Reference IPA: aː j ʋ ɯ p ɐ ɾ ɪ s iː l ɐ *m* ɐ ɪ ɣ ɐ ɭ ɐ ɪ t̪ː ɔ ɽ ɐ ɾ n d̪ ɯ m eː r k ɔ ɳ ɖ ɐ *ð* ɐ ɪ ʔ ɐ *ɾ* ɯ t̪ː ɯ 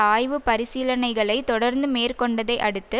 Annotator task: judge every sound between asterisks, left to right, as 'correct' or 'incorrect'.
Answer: incorrect: n, correct, incorrect: ɽ

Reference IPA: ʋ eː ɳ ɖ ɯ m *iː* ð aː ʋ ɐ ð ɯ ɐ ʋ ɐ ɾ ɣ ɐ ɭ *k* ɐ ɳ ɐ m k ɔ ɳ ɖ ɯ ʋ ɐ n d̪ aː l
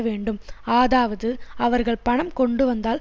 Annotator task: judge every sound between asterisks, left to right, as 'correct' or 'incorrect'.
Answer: incorrect: aː, incorrect: p

